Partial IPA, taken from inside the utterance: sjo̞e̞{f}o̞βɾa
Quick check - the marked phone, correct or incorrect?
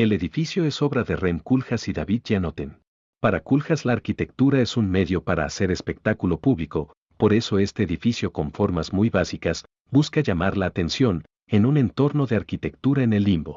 incorrect